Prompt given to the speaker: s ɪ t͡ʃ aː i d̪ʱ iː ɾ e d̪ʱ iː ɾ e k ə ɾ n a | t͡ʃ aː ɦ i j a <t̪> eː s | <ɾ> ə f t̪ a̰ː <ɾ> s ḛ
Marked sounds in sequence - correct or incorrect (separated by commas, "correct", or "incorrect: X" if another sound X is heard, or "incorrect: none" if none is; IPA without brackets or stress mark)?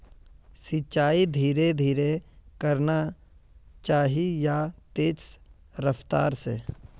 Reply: correct, correct, correct